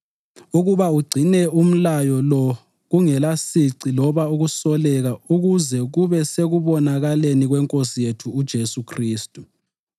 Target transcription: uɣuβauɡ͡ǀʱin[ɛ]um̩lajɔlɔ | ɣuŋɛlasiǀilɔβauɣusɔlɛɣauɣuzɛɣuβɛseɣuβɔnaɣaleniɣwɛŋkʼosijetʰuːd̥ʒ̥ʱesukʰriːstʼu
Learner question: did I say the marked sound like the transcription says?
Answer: yes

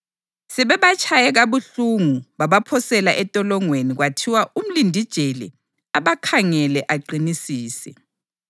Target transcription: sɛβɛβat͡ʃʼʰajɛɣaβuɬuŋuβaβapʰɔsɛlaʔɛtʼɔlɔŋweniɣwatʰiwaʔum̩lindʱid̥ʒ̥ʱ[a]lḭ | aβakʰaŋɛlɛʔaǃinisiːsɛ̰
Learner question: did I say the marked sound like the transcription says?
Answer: no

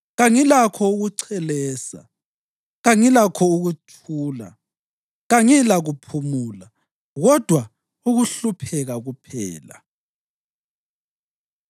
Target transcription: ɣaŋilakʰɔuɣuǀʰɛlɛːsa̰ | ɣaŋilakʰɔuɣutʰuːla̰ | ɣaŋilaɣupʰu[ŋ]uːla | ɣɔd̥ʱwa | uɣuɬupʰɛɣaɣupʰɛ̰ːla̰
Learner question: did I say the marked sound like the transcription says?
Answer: no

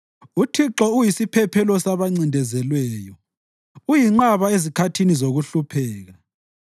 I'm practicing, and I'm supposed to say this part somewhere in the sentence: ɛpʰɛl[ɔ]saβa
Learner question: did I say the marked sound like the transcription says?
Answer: yes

